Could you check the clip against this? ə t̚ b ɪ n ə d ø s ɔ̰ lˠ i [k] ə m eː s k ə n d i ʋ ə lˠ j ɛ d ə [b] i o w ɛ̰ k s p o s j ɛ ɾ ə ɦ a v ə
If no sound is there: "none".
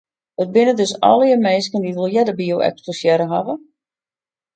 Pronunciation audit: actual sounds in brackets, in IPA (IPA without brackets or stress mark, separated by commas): none, b